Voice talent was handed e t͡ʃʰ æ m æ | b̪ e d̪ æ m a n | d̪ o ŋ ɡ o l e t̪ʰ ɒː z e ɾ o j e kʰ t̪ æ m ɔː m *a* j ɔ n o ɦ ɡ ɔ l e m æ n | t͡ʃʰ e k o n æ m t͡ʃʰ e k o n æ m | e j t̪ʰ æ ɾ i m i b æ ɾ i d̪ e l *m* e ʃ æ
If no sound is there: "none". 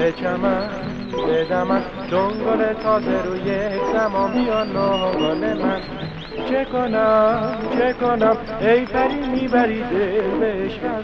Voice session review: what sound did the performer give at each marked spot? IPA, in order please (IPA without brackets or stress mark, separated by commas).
i, b